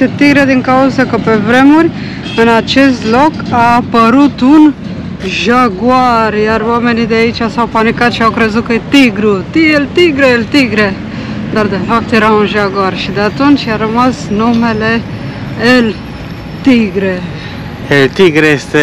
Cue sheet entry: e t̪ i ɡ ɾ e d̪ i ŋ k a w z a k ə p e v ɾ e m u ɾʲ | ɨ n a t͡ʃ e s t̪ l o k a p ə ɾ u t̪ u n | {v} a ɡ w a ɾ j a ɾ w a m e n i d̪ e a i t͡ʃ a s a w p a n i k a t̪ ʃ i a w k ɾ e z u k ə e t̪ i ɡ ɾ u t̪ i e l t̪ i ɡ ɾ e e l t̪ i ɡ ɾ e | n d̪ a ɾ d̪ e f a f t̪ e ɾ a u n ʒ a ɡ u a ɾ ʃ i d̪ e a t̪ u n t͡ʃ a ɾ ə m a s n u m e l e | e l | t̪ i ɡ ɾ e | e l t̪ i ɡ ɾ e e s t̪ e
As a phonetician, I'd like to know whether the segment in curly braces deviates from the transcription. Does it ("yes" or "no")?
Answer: yes